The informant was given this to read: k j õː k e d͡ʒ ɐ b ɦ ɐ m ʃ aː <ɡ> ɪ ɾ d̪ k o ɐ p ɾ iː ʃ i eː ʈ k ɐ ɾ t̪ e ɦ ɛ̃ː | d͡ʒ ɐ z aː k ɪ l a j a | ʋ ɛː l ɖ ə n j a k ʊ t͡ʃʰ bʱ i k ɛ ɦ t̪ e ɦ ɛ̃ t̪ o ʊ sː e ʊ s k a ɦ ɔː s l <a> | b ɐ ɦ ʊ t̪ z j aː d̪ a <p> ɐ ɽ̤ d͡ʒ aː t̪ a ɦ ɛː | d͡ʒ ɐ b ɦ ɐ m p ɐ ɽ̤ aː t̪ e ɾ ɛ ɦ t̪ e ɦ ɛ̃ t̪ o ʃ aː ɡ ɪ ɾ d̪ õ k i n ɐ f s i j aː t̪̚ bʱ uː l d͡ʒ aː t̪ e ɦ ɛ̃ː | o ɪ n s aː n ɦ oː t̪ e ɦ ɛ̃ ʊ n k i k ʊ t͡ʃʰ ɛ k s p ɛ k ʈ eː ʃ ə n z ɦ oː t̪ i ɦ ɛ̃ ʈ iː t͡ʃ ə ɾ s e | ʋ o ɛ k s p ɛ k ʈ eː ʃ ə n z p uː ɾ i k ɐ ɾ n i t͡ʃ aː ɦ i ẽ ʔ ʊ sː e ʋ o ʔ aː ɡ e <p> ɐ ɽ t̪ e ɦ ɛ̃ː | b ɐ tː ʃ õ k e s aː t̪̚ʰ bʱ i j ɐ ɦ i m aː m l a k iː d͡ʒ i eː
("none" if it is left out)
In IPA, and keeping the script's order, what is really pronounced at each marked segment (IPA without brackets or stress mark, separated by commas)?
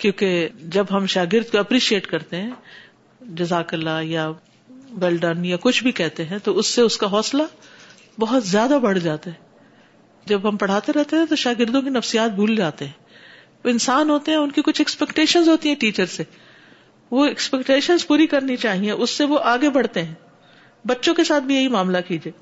ɡ, a, b, b